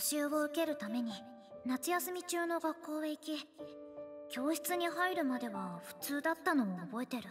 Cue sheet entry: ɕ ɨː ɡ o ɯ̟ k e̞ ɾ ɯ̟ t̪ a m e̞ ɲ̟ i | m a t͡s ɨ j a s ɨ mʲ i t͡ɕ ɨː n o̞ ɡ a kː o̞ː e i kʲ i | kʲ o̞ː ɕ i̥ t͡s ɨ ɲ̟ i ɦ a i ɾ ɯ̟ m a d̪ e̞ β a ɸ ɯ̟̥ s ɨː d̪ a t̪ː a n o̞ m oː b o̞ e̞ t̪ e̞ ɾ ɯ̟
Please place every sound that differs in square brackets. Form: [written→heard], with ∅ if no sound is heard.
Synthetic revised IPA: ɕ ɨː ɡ o ɯ̟ k e̞ ɾ ɯ̟ t̪ a m e̞ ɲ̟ i | [m→n] a t͡s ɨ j a s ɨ mʲ i t͡ɕ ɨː n o̞ ɡ a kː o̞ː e i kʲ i | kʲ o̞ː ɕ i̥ t͡s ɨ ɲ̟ i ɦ a i ɾ ɯ̟ m a d̪ e̞ β a ɸ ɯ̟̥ [s→t͡s] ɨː d̪ a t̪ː a n o̞ m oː b o̞ e̞ t̪ e̞ ɾ ɯ̟